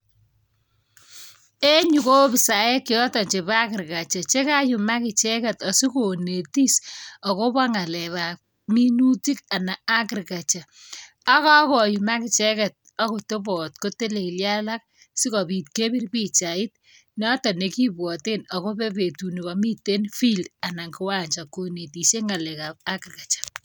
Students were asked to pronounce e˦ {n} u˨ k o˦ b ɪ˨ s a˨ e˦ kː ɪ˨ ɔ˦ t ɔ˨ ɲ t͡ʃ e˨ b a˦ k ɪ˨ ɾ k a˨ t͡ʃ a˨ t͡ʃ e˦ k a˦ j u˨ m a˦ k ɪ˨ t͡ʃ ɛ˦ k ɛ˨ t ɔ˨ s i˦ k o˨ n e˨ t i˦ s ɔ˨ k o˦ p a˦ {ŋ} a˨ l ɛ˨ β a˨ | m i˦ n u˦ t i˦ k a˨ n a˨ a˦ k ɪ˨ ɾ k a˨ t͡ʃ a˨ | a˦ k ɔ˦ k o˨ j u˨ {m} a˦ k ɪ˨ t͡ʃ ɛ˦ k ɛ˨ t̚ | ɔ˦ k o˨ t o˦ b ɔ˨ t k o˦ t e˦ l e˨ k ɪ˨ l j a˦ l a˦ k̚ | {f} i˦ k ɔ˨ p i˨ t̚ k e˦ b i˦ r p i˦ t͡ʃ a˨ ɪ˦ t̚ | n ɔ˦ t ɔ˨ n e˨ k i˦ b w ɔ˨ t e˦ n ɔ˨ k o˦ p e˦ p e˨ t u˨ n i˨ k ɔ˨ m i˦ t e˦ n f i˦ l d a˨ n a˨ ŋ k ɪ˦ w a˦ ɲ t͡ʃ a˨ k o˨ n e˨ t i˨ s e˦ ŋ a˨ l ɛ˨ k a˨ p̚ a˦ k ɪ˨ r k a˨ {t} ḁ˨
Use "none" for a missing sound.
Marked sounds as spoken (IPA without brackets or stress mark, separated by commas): ɲ, ŋ, m, s, t͡ʃ